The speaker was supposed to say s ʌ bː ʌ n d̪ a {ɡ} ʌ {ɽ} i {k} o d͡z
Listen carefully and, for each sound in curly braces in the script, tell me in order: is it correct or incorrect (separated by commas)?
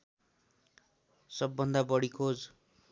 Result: incorrect, correct, incorrect